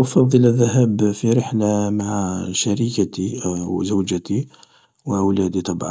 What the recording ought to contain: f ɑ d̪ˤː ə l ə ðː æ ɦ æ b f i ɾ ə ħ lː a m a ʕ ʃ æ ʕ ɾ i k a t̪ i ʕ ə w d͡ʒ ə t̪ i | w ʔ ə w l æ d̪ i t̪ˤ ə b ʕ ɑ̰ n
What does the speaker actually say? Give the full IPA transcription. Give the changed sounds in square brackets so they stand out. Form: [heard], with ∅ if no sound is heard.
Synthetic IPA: f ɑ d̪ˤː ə l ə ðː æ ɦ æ b f i ɾ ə ħ [l] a m a ʕ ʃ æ [∅] ɾ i k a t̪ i [z] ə w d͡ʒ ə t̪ i | w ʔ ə w l æ d̪ i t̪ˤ [ɑ] b ʕ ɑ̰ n